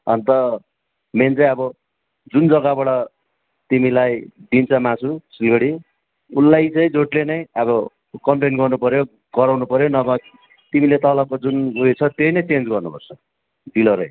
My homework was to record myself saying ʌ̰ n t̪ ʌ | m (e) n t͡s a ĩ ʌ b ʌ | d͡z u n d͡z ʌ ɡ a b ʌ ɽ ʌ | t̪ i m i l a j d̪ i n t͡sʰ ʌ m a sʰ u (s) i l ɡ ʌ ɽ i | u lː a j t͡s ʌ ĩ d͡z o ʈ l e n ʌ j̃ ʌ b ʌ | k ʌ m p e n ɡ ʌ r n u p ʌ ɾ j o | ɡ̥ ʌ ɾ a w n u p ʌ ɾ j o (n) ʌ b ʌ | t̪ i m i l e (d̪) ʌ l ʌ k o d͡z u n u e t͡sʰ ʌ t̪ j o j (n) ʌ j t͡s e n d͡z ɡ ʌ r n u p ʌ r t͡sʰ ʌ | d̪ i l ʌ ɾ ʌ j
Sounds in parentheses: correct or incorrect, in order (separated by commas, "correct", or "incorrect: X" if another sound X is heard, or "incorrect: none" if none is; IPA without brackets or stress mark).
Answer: correct, correct, correct, incorrect: t̪, correct